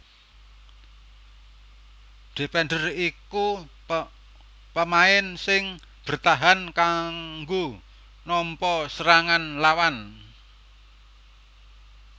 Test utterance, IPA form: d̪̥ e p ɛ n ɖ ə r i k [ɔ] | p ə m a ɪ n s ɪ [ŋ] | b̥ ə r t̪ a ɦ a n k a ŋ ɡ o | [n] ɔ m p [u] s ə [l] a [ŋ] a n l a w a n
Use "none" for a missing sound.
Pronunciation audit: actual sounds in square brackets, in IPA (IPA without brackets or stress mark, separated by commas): u, ŋ, n, ɔ, ɾ, ŋ